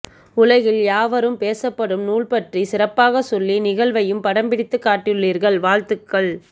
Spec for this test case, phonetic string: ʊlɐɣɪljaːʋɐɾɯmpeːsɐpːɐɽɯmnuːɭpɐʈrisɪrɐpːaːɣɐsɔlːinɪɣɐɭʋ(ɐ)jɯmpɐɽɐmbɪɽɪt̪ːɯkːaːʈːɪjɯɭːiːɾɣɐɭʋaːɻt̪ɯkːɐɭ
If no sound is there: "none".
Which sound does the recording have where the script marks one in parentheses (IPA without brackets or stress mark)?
ɐ